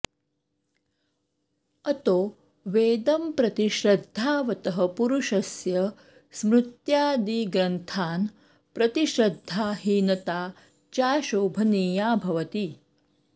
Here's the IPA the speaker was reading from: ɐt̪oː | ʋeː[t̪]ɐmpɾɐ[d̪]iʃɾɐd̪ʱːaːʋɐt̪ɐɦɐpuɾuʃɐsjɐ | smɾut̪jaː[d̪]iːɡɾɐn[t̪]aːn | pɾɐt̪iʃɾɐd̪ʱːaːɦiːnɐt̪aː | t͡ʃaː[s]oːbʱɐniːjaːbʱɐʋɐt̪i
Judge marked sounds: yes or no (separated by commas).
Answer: no, no, yes, no, no